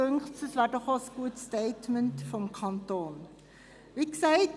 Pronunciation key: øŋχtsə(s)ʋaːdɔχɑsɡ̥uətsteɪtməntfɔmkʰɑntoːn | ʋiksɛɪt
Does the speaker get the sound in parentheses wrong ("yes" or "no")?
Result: no